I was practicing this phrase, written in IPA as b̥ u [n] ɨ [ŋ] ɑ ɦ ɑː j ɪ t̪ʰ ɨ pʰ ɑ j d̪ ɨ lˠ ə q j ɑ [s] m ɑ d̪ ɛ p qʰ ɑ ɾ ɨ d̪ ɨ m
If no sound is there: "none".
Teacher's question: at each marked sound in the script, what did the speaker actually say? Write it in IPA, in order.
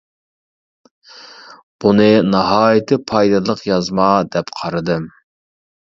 n, n, z

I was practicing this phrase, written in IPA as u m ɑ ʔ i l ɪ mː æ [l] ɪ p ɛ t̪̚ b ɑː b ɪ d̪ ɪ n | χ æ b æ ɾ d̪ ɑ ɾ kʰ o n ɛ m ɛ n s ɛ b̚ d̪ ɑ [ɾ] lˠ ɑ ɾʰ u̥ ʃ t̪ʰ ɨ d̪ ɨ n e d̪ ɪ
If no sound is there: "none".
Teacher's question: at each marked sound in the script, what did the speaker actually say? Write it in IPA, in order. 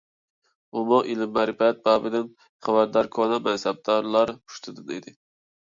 ɾ, ɾ

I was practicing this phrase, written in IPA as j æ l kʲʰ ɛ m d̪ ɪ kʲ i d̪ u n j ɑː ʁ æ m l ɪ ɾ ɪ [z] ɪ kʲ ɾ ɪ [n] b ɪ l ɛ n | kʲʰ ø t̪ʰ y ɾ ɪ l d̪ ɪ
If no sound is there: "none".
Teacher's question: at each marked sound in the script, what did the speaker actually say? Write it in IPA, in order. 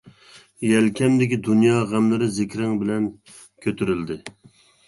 z, ŋ

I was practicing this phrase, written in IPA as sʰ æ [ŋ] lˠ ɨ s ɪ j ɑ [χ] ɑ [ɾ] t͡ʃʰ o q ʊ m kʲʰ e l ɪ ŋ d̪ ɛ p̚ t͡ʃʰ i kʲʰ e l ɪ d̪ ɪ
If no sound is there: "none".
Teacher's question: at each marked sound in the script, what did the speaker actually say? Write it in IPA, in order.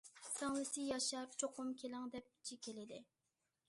ŋ, ʃ, ɾ

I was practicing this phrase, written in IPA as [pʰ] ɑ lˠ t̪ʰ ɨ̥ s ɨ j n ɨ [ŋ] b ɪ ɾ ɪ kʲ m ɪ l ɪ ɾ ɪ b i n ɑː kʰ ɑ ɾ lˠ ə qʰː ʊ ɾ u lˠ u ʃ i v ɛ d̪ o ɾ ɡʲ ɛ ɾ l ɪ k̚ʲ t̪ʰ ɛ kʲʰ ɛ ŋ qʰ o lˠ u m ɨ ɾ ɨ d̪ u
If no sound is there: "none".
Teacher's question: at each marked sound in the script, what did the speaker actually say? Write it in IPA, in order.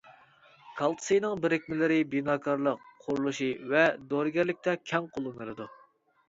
kʰ, ŋ

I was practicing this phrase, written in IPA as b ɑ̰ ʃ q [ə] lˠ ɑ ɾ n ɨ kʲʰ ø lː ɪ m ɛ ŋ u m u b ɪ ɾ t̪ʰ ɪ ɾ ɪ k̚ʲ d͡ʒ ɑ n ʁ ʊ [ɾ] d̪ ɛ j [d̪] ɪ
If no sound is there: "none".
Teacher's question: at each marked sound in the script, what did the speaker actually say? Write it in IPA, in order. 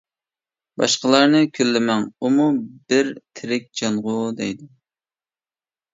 ə, none, d̪

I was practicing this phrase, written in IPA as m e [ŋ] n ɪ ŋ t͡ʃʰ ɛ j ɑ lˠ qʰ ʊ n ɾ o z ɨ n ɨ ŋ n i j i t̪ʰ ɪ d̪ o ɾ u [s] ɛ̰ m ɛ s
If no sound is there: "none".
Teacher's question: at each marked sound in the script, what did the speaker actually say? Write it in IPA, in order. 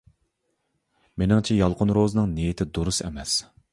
none, s

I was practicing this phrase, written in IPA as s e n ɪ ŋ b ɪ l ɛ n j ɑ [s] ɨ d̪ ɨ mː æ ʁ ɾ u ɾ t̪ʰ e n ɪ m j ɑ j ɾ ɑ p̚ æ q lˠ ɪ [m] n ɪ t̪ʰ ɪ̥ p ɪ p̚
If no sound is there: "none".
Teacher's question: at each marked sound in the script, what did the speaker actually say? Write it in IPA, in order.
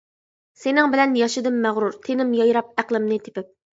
ʃ, m

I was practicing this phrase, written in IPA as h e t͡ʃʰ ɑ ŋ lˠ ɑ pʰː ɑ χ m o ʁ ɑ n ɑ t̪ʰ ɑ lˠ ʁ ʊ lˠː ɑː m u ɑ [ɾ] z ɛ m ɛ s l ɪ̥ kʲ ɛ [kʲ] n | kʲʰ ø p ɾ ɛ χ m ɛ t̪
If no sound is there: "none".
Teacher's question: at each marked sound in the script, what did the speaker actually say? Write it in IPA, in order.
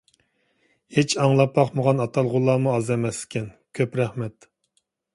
none, none

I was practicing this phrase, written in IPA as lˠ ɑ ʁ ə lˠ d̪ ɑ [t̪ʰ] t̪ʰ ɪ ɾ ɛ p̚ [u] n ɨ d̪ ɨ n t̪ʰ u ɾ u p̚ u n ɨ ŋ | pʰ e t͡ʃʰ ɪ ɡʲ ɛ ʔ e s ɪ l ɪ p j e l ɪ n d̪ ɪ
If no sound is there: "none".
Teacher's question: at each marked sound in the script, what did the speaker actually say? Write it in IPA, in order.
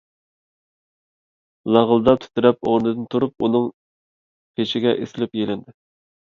t̪ʰ, o

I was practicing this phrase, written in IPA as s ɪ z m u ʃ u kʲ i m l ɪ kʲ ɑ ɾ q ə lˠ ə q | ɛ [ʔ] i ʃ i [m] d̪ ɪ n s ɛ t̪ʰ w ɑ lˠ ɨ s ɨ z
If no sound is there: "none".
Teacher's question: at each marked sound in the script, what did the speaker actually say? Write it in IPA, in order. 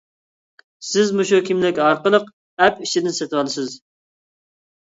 p, none

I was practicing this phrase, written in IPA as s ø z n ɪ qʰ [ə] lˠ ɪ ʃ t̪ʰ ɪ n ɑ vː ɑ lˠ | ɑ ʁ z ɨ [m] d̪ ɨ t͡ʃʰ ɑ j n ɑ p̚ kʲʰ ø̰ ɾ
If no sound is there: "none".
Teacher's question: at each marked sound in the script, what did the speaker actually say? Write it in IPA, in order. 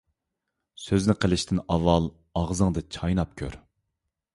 ə, ŋ

